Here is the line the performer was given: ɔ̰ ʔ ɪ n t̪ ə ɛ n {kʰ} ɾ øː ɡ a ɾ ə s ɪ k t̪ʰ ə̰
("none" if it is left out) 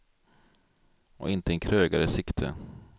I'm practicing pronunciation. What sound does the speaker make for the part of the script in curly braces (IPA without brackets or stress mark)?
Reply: kʰ